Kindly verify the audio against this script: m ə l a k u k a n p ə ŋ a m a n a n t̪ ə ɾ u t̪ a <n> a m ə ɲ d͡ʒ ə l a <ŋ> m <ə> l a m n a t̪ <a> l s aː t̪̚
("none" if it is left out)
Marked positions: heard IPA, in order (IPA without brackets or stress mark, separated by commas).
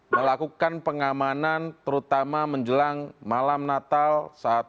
m, ŋ, a, a